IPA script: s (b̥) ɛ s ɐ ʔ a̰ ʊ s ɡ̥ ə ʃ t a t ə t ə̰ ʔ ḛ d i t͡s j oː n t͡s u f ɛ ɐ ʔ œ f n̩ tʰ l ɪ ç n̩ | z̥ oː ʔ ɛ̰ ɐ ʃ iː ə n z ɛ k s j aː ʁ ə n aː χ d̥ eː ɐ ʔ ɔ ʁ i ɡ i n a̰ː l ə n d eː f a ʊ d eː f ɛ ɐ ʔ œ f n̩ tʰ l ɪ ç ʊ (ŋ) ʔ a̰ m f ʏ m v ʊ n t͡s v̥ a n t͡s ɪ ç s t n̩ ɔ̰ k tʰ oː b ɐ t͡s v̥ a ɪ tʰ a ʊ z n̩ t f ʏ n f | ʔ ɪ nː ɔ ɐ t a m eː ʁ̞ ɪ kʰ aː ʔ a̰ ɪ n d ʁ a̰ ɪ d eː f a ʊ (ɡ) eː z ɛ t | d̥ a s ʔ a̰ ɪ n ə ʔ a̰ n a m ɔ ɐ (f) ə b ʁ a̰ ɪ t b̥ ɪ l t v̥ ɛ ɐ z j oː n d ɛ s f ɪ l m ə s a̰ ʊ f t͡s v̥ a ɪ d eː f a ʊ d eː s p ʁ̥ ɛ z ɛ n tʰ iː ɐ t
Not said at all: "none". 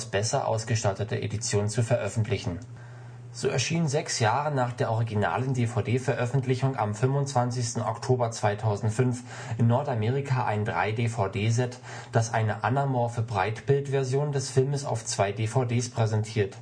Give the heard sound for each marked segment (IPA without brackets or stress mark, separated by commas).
b̥, ŋ, d, f